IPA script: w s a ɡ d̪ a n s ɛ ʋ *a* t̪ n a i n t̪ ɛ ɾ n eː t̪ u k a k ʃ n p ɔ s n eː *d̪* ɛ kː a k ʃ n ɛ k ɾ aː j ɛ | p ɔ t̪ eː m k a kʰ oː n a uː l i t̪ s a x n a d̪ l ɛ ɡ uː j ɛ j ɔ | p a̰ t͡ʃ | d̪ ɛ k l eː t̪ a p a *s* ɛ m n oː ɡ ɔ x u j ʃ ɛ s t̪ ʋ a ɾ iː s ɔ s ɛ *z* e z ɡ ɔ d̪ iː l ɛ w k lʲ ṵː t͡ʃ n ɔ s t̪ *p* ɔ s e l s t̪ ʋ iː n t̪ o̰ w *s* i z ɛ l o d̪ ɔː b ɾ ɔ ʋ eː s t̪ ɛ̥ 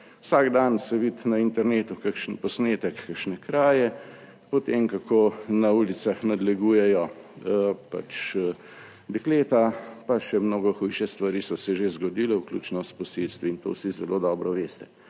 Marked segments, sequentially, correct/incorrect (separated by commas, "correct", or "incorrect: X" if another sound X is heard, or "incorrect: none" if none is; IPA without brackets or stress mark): incorrect: i, incorrect: t̪, incorrect: ʃ, incorrect: ʒ, correct, correct